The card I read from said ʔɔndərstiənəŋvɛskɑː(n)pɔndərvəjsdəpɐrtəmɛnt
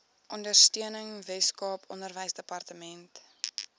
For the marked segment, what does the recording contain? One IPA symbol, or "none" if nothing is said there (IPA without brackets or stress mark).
none